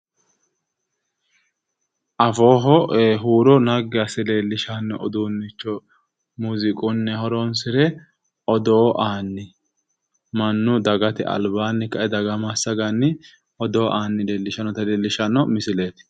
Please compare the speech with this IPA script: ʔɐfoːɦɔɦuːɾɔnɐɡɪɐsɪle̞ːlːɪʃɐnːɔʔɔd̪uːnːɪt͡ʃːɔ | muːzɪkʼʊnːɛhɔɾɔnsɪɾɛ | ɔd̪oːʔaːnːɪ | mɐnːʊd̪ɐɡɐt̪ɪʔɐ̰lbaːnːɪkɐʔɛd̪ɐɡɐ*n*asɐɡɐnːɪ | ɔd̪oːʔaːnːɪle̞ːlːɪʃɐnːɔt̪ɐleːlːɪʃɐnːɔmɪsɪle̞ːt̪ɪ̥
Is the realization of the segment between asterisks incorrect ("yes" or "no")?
yes